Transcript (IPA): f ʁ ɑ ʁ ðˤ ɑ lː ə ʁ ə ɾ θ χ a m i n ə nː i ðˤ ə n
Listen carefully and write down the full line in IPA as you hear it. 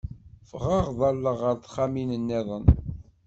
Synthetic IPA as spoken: f ʁ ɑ ʁ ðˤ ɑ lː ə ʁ ə ɾ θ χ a m i n ə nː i ðˤ ə n